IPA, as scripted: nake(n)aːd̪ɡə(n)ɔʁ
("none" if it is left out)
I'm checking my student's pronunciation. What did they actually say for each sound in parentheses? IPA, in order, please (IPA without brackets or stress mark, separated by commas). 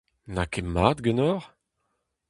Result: m, n